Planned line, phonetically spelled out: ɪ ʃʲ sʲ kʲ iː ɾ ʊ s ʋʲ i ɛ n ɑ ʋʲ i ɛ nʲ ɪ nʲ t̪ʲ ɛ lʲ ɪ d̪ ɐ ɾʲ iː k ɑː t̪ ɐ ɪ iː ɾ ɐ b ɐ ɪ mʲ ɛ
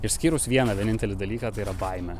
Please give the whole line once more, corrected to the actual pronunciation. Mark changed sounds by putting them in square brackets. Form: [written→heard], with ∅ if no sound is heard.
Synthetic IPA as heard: ɪ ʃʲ sʲ kʲ iː ɾ ʊ s ʋʲ i ɛ n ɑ ʋʲ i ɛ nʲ ɪ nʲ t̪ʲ ɛ lʲ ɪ d̪ ɐ [ɾʲ→lʲ] iː k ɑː t̪ ɐ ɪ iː ɾ ɐ b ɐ ɪ mʲ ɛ